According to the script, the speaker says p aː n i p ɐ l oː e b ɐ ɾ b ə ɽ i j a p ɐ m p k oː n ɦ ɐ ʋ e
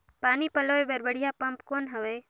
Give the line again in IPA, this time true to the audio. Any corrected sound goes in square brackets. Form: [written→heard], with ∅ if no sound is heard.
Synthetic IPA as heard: p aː n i p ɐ l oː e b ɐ ɾ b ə ɽ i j a p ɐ m p k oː n ɦ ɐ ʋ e

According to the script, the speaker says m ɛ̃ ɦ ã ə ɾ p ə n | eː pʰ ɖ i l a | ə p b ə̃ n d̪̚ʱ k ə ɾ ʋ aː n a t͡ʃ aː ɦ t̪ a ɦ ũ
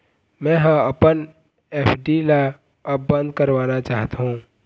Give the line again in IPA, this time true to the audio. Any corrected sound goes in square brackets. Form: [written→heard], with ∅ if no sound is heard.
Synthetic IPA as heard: m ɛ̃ ɦ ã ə [ɾ→∅] p ə n | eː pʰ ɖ i l a | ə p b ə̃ n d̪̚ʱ k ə ɾ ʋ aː n a t͡ʃ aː ɦ t̪ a ɦ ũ

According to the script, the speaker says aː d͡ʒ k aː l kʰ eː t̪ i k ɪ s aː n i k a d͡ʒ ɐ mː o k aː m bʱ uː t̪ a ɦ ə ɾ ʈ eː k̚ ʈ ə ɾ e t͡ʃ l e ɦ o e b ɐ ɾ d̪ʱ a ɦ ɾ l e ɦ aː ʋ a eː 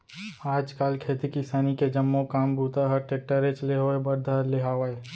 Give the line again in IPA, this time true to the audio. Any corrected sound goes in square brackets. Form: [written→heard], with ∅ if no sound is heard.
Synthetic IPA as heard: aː d͡ʒ k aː l kʰ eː t̪ i k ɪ s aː n i k [a→e] d͡ʒ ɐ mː o k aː m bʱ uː t̪ a ɦ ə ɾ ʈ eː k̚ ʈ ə ɾ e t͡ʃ l e ɦ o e b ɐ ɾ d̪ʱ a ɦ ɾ l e ɦ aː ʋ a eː

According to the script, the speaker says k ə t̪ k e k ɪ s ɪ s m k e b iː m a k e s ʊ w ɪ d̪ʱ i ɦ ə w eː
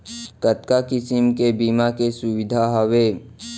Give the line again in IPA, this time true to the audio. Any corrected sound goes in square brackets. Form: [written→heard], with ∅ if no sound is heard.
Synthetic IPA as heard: k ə t̪ k [e→a] k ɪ s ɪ [s→∅] m k e b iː m a k e s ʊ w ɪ d̪ʱ [i→a] ɦ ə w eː

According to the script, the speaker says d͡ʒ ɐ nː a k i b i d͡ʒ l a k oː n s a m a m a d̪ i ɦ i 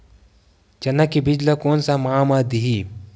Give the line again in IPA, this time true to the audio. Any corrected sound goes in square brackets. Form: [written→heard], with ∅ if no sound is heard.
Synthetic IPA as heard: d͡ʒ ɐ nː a k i b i d͡ʒ l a k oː n s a m a m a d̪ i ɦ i

